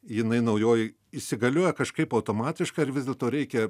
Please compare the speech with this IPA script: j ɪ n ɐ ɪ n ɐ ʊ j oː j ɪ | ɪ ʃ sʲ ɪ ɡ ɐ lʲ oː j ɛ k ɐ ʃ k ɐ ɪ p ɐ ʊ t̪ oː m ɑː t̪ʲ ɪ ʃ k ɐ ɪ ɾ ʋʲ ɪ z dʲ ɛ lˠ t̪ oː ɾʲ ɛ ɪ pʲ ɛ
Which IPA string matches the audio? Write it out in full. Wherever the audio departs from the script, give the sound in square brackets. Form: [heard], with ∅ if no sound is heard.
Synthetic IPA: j ɪ n ɐ ɪ n ɐ ʊ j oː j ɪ | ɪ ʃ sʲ ɪ ɡ ɐ lʲ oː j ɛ k ɐ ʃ k ɐ ɪ p ɐ ʊ t̪ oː m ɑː t̪ʲ ɪ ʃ k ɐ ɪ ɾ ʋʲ ɪ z dʲ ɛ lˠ t̪ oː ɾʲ ɛ ɪ [kʲ] ɛ